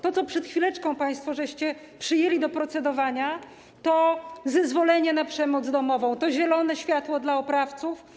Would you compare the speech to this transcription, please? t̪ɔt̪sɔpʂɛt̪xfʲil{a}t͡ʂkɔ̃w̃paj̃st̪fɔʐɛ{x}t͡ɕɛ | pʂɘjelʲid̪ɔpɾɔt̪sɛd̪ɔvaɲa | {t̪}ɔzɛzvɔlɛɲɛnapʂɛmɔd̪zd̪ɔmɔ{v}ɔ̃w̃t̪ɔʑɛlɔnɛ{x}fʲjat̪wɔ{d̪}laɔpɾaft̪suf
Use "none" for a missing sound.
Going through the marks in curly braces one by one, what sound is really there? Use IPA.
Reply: ɛ, ɕ, t̪, v, ɕ, d̪

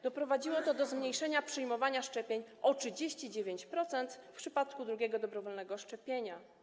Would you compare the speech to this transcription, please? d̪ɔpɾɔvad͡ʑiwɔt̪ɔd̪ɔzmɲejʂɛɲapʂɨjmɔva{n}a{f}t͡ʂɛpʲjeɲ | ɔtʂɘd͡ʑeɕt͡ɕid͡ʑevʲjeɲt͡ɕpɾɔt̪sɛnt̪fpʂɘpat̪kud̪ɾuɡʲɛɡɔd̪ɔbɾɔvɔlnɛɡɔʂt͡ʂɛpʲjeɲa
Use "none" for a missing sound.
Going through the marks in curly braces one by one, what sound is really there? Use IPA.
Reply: ɲ, ʂ

